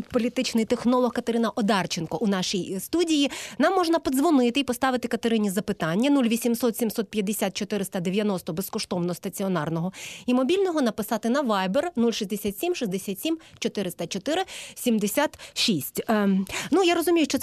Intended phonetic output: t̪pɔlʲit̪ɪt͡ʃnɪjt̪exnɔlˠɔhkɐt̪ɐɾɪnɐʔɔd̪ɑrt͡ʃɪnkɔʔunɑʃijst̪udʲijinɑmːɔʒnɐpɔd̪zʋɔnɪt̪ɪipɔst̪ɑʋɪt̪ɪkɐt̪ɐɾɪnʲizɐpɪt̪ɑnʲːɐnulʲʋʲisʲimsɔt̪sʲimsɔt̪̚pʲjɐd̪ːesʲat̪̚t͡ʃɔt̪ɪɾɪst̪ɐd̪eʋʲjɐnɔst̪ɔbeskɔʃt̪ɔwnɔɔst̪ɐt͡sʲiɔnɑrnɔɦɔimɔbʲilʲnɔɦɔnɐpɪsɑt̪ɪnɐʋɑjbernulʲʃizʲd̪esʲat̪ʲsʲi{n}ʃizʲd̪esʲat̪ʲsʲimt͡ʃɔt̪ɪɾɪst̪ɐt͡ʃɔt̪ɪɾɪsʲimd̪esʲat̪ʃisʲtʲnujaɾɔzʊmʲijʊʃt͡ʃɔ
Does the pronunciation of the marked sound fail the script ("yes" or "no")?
yes